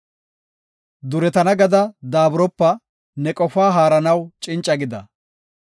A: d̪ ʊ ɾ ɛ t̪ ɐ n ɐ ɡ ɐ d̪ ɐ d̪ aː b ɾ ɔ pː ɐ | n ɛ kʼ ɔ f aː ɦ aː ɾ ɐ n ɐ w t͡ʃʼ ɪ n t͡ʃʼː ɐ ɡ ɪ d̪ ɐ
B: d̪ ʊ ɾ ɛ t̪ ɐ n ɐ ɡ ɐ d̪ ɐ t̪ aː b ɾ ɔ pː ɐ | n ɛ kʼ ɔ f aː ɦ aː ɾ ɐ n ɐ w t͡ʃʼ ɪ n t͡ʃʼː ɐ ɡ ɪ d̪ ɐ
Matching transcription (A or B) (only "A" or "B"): A